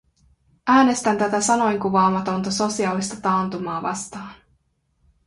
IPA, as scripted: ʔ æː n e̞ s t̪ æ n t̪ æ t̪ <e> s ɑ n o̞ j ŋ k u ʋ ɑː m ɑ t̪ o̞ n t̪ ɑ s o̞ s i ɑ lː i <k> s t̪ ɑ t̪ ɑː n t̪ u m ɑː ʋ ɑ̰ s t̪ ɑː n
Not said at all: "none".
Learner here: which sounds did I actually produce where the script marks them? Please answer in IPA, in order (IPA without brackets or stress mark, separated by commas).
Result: æ, none